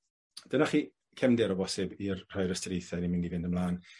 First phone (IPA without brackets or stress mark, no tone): d̥